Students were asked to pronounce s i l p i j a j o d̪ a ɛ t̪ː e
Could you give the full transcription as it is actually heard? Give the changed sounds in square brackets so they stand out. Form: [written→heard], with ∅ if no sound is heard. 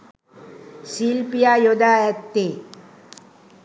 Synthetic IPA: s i l p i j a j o d̪ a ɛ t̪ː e